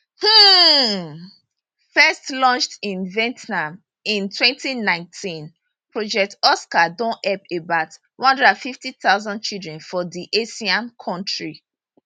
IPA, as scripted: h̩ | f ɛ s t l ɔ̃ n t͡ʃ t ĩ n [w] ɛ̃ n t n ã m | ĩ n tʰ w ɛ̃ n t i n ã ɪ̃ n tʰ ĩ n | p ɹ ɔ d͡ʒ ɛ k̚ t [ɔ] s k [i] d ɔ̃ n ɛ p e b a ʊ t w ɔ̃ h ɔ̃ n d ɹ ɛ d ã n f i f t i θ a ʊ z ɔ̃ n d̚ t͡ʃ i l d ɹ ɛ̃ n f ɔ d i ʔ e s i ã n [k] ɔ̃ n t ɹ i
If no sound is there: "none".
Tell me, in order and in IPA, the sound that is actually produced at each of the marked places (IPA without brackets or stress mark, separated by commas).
v, ɔ, a, kʰ